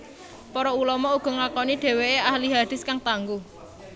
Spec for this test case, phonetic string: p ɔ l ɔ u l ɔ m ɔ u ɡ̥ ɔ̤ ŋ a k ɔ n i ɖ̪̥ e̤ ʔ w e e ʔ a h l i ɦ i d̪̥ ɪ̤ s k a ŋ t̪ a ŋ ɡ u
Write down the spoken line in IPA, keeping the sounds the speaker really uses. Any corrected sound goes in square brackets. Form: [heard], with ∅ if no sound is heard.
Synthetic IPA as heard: p ɔ [ɾ] ɔ u l ɔ m ɔ u ɡ̥ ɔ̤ ŋ a k ɔ n i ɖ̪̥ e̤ [∅] w e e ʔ a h l i ɦ [a] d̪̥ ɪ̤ s k a ŋ t̪ a ŋ ɡ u